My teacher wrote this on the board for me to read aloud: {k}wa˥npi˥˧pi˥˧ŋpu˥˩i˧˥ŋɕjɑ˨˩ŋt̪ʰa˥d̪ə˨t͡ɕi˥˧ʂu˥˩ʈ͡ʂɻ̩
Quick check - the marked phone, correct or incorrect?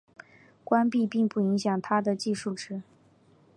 correct